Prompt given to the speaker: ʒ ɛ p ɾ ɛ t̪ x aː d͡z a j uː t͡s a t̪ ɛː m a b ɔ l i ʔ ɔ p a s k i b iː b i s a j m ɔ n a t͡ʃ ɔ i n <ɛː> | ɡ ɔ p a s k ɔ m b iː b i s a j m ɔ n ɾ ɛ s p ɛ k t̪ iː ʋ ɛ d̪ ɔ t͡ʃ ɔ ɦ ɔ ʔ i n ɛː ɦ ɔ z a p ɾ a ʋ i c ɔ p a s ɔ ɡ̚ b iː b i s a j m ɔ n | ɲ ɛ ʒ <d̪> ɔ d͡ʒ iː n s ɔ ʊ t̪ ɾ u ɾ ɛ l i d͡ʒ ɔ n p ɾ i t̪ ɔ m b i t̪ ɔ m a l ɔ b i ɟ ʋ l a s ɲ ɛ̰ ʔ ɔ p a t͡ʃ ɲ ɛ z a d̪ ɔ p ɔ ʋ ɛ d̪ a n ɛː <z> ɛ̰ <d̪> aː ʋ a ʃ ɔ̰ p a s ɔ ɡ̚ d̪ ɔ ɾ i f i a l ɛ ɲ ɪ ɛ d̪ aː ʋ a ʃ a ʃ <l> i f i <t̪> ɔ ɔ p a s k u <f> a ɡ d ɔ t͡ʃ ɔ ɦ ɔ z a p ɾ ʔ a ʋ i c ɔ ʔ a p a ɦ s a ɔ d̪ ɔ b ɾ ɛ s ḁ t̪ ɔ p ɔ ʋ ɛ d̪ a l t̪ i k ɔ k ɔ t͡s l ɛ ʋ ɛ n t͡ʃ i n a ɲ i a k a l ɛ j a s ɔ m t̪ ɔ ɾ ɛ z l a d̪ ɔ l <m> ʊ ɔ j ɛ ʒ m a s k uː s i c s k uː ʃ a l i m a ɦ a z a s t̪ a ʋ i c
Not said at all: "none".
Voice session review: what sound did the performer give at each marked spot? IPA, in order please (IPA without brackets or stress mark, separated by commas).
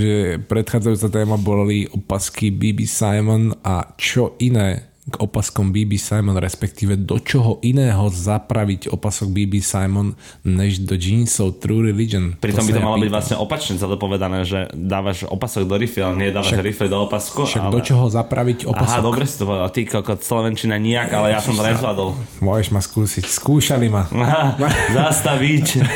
ɛː, d̪, ʒ, d̪, ɾ, d̪, ʃ, m